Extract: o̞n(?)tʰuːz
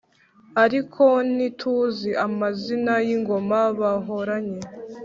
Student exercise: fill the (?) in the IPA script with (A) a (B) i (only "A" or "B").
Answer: B